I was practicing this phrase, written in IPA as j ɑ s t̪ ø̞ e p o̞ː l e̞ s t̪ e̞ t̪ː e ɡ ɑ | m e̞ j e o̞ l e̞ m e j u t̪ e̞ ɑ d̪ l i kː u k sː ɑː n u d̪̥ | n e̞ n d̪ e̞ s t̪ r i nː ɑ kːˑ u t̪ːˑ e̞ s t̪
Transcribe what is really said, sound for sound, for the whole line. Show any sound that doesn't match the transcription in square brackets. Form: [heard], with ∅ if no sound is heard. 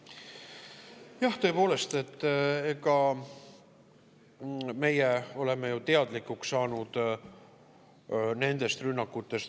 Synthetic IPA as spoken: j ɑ [h] t̪ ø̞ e p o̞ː l e̞ s t̪ e̞ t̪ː e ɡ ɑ | m e̞ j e o̞ l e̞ m e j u t̪ e̞ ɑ d̪ l i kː u k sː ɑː n u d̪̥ | n e̞ n d̪ e̞ s t̪ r [y] nː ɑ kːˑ u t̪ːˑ e̞ s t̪